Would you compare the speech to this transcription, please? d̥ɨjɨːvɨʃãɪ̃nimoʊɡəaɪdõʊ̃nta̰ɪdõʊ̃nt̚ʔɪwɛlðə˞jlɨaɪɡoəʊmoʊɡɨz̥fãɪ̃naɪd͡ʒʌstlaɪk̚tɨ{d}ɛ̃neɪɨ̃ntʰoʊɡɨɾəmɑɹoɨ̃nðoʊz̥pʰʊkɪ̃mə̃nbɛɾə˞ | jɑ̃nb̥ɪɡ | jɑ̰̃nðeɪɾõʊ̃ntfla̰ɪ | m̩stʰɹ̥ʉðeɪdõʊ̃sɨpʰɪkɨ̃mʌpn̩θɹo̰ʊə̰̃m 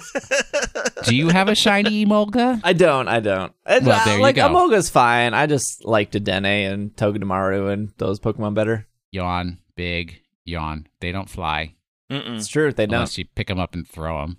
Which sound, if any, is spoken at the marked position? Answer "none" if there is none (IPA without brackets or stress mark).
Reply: d